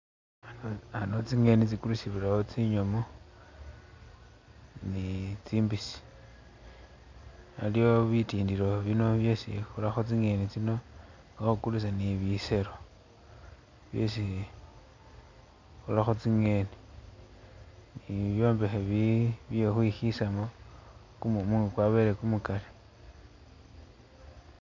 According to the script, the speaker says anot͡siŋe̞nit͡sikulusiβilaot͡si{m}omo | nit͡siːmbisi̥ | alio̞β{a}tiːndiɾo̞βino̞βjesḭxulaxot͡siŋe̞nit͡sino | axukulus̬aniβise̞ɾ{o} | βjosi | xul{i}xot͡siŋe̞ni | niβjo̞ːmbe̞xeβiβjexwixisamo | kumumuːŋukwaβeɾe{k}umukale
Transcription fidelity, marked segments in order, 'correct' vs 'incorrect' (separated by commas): incorrect, incorrect, correct, incorrect, correct